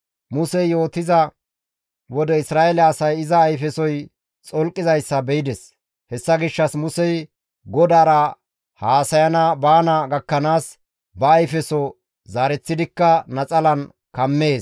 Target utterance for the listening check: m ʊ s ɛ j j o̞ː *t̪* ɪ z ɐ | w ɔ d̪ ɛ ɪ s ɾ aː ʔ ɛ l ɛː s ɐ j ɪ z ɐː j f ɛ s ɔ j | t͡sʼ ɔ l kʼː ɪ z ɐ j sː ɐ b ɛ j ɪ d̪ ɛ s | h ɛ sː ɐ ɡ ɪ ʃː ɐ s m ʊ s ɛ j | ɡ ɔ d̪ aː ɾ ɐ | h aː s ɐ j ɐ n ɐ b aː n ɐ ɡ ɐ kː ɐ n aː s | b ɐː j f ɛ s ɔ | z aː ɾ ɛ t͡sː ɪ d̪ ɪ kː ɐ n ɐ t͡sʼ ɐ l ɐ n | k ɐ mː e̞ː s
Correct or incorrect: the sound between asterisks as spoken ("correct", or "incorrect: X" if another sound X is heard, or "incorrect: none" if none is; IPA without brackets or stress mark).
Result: correct